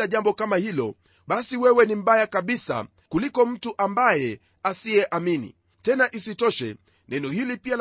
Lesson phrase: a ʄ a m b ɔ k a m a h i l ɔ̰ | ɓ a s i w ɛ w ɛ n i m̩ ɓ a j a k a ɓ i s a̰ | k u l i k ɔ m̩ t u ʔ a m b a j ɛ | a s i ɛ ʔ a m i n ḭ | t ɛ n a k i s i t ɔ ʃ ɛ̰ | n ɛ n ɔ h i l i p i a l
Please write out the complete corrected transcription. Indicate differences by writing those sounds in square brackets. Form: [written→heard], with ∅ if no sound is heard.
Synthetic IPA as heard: a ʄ a m b ɔ k a m a h i l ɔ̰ | ɓ a s i w ɛ w ɛ n i m̩ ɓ a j a k a ɓ i s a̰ | k u l i k ɔ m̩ t u ʔ a m b a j ɛ | a s i ɛ ʔ a m i n ḭ | t ɛ n a [k→ʔ] i s i t ɔ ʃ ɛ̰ | n ɛ n ɔ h i l i p i a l